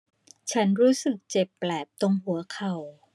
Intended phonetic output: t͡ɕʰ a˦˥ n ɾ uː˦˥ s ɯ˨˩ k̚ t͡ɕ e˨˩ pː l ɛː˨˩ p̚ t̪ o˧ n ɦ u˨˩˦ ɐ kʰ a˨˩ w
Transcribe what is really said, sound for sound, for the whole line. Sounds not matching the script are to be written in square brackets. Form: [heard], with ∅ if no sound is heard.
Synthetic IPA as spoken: t͡ɕʰ a˦˥ n ɾ uː˦˥ s ɯ˨˩ k̚ t͡ɕ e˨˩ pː l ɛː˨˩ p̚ t̪ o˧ [ŋ] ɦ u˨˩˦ ɐ kʰ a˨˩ w